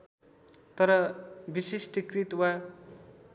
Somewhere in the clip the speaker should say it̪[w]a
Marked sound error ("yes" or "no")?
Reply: no